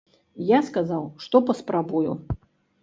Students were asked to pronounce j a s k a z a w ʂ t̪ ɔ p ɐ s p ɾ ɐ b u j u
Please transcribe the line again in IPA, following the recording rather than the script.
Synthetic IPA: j a s k a z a w ʂ t̪ ɔ p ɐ s p ɾ a b u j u

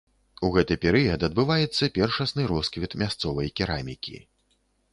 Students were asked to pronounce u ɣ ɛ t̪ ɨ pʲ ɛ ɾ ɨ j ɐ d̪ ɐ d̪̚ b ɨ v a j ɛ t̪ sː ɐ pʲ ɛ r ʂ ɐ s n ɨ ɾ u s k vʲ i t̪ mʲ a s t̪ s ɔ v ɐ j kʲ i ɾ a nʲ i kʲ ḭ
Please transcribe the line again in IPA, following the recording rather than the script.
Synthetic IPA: u ɣ ɛ t̪ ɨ pʲ ɛ ɾ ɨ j ɐ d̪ ɐ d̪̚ b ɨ v a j ɛ t̪ sː ɐ pʲ ɛ r ʂ ɐ s n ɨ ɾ ɔ s k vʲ i t̪ mʲ a s t̪ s ɔ v ɐ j kʲ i ɾ a mʲ i kʲ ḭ

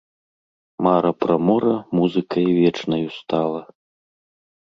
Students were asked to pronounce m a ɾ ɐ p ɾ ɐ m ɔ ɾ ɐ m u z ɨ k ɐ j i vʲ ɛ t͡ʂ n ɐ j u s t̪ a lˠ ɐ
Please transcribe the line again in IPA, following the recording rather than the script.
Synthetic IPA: m a ɾ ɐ p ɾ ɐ m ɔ ɾ ɐ m u z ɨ k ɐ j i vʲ ɛ t͡ʂ n ɐ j u s t̪ a lˠ ɐ

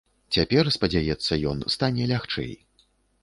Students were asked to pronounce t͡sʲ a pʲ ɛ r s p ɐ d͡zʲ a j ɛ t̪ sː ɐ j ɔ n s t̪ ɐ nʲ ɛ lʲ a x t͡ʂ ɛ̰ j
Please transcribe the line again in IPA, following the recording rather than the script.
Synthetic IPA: t͡sʲ a pʲ ɛ r s p ɐ d͡zʲ a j ɛ t̪ sː ɐ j ɔ n s t̪ a nʲ ɛ lʲ a x t͡ʂ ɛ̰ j

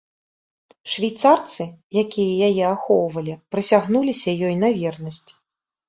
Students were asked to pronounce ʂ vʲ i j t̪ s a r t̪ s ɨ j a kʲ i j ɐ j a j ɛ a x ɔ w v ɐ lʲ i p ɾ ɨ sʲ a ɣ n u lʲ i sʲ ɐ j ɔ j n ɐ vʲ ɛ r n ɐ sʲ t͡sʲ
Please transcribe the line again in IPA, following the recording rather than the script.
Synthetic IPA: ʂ vʲ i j t̪ s a r t̪ s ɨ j a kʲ i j ɐ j a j ɛ a x ɔ w v ɐ lʲ i p ɾ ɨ sʲ a ɣ n u lʲ i sʲ ɐ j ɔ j n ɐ vʲ ɛ r n ɐ sʲ t͡sʲ

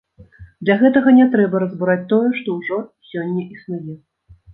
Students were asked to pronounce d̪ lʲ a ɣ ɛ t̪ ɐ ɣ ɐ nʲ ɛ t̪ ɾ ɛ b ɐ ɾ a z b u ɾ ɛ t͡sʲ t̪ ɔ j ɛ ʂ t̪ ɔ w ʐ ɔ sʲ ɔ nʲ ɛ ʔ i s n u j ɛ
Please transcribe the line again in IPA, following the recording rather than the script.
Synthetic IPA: d̪ lʲ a ɣ ɛ t̪ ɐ ɣ ɐ nʲ ɛ t̪ ɾ ɛ b ɐ ɾ ɐ z b u ɾ a t͡sʲ t̪ ɔ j ɛ ʂ t̪ ɔ w ʐ ɔ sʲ ɔ nʲː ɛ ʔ i s n u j ɛ

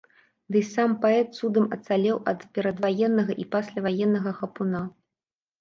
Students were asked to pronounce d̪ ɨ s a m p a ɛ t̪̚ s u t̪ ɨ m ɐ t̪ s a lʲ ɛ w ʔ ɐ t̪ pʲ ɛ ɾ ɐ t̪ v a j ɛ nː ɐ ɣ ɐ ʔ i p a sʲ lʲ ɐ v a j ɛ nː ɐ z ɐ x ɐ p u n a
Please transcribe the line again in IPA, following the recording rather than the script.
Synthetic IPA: d̪ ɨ s a m p a ɛ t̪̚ s u d̪ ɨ m ɐ t̪ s a lʲ ɛ w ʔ ɐ t̪ pʲ ɛ ɾ ɐ d̪ v a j ɛ nː ɐ ɣ ɐ ʔ i p a sʲ lʲ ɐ v a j ɛ nː ɐ ɣ ɐ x ɐ p u n a

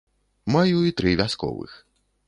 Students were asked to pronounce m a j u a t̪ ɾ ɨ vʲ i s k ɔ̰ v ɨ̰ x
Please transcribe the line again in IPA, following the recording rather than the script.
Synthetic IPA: m a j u i t̪ ɾ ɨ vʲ a s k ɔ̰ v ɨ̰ x

